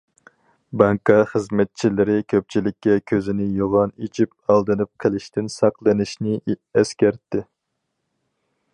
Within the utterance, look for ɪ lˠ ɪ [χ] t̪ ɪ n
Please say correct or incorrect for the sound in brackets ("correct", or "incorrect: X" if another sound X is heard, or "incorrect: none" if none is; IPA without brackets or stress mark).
incorrect: ʃ